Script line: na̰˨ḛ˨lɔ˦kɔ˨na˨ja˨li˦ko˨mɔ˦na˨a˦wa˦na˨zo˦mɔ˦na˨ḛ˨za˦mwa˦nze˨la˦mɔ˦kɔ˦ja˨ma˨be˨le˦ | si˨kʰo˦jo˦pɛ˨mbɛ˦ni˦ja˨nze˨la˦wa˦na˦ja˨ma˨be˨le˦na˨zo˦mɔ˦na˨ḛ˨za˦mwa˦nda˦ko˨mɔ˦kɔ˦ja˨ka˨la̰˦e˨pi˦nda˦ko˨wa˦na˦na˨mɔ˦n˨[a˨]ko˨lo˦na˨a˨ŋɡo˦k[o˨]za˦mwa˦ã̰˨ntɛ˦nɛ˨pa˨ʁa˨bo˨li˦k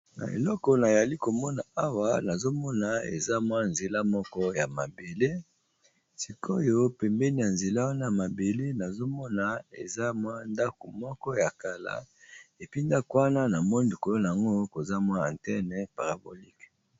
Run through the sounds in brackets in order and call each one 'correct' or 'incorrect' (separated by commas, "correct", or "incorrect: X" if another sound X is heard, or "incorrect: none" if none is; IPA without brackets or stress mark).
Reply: incorrect: i˨, correct